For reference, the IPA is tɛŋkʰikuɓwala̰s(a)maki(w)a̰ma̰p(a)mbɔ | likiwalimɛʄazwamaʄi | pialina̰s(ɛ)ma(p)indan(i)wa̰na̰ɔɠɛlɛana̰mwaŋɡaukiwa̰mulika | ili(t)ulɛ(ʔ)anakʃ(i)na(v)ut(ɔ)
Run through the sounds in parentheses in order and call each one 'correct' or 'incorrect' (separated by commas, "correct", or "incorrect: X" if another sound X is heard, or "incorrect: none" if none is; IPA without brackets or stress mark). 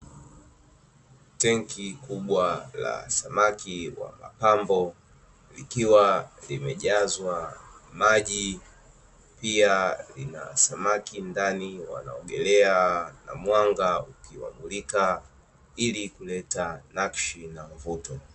correct, correct, correct, incorrect: a, incorrect: k, correct, incorrect: k, incorrect: t, correct, correct, correct